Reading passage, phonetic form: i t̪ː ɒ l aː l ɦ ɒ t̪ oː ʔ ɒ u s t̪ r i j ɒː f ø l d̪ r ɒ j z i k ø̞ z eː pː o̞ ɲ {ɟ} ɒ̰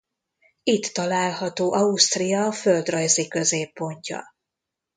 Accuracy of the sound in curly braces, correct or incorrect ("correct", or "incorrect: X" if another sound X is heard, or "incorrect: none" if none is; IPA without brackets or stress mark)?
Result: incorrect: c